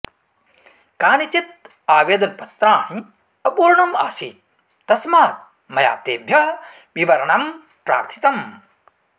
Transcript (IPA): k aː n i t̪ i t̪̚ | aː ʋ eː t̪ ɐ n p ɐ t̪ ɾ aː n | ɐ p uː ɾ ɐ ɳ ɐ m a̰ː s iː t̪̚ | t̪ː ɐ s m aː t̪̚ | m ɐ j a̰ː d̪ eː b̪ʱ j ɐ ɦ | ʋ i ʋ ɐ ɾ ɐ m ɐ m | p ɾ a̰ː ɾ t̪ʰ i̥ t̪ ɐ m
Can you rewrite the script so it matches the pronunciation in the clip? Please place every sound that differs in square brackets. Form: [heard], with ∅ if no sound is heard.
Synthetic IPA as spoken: k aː n i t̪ i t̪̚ | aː ʋ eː [d̪] ɐ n p ɐ t̪ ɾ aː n | ɐ p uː ɾ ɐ ɳ ɐ m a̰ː s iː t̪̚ | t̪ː ɐ s m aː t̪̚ | m ɐ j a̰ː [t̪] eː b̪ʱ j ɐ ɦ | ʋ i ʋ ɐ ɾ ɐ [ɳ] ɐ m | p ɾ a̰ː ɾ t̪ʰ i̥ t̪ ɐ m